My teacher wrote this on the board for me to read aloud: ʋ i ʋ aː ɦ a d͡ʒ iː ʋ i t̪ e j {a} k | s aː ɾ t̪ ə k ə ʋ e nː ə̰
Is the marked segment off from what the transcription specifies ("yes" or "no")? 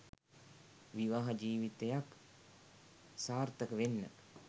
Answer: no